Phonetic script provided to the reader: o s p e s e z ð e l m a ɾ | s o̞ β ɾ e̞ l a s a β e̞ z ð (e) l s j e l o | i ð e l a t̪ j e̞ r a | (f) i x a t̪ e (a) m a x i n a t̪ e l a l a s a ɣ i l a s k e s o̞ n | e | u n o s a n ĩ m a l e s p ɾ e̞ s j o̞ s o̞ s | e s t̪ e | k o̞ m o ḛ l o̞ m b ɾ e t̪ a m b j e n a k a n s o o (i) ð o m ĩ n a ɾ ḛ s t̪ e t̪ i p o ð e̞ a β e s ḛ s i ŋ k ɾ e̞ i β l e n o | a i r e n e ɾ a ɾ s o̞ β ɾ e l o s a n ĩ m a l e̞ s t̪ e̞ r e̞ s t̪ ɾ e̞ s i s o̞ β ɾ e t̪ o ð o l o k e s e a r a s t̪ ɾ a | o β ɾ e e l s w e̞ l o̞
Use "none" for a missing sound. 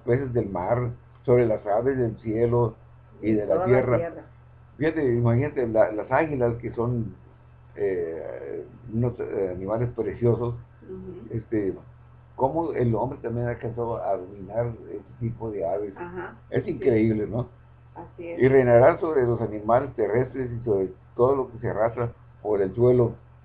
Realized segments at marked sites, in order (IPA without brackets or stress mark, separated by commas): e, f, i, a